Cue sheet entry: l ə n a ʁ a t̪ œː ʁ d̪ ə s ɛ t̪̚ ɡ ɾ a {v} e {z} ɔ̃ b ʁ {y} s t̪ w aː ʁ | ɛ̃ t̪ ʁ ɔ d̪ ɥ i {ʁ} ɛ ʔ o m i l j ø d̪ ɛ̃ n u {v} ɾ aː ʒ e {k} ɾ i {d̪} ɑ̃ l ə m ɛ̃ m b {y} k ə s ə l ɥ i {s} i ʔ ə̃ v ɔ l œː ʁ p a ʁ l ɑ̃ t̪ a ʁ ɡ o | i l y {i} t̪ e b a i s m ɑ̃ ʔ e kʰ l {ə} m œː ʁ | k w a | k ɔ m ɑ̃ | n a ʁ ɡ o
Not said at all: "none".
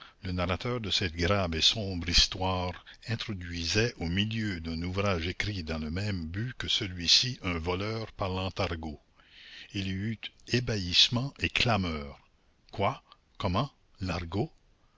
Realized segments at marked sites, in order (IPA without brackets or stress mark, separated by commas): v, s, i, z, v, k, d̪, y, s, y, a